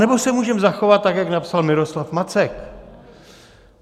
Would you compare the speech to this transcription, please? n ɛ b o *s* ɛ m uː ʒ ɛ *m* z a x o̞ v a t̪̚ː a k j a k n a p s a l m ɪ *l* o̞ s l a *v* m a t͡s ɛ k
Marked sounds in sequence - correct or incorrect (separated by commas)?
correct, correct, incorrect, incorrect